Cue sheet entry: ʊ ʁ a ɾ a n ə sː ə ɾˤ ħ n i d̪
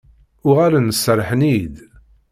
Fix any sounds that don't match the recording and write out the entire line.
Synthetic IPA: ʊ ʁ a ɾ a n ə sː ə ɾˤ ħ n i d̪